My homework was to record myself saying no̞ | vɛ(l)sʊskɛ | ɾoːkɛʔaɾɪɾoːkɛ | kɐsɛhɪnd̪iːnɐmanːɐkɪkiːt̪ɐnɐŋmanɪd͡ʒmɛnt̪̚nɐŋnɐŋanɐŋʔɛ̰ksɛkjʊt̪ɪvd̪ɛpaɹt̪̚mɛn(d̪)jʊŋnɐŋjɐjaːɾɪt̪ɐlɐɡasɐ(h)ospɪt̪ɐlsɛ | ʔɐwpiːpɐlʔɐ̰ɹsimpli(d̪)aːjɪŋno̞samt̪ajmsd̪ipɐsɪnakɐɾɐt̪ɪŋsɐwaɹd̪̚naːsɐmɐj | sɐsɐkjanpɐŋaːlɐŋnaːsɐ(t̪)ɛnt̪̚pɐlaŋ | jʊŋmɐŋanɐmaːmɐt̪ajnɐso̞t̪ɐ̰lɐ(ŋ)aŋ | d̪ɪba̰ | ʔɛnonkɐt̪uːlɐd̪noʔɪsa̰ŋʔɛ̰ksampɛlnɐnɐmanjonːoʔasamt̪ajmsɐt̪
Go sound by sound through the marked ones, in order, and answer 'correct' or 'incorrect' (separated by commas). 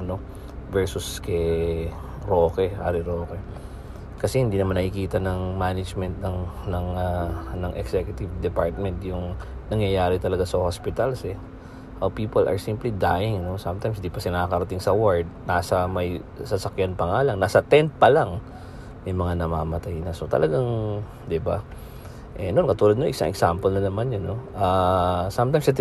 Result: incorrect, incorrect, correct, correct, correct, incorrect